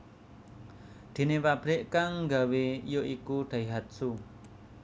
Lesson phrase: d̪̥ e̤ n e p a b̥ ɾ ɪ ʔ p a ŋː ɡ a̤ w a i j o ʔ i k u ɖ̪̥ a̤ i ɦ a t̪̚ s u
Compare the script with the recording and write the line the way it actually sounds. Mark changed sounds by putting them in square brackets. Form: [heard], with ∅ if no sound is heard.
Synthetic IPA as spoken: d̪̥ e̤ n e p a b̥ ɾ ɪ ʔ [k] a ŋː ɡ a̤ w [e] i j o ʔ i k u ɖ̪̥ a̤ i ɦ a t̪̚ s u